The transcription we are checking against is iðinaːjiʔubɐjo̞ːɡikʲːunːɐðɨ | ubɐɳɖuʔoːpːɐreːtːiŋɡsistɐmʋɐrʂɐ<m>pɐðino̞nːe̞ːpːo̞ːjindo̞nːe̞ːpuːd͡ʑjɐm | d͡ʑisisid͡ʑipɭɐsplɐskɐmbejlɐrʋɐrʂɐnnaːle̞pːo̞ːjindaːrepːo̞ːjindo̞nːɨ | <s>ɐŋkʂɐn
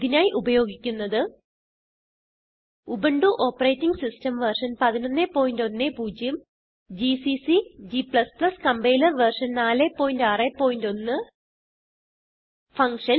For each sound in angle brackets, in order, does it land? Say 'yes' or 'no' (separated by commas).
no, no